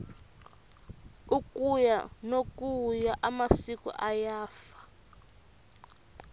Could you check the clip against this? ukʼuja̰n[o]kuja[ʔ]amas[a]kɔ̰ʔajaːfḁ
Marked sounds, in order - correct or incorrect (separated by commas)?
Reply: correct, correct, incorrect